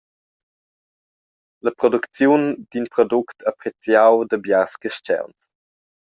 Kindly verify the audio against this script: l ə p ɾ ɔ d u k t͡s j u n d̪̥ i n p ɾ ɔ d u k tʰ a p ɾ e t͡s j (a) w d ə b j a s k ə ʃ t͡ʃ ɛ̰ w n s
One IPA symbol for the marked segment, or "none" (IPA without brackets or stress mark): a